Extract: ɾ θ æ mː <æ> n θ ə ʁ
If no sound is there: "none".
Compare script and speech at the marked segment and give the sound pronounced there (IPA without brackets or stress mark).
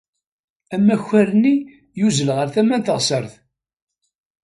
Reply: æ